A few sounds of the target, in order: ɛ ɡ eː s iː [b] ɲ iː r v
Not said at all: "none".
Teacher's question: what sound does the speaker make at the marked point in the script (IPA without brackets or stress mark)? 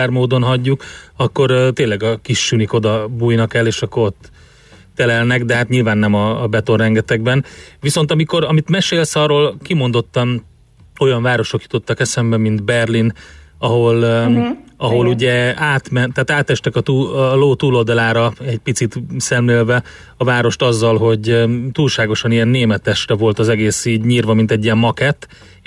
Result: ɟ